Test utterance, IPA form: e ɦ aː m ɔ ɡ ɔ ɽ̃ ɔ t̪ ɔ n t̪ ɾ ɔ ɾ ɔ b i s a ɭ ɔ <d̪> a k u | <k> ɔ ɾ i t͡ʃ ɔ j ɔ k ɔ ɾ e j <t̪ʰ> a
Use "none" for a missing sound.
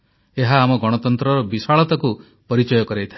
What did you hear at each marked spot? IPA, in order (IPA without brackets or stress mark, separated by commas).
t̪, p, t̪ʰ